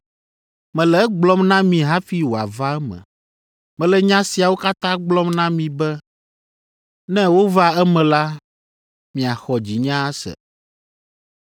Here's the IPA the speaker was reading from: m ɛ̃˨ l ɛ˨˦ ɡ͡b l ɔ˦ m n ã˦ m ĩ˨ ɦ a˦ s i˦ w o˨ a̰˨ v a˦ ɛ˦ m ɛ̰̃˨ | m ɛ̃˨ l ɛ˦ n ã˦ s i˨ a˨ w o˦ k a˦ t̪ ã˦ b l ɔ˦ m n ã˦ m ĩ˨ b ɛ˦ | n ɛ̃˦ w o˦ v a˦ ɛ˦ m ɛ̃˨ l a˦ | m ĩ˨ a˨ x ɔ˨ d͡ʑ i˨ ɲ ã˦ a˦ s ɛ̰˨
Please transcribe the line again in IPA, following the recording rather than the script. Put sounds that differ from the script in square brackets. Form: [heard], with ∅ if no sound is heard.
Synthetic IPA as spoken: m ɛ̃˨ l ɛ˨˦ ɡ͡b l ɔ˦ m n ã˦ m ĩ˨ ɦ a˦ [f] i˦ w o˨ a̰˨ v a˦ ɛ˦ m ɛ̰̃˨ | m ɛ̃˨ l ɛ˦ [ɲ] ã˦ s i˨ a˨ w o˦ k a˦ t̪ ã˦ [ɡ͡b] l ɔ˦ m n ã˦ m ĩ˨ b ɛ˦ | n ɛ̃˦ w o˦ v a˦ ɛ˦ m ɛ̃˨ l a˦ | m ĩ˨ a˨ x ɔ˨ d͡ʑ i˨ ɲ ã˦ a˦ s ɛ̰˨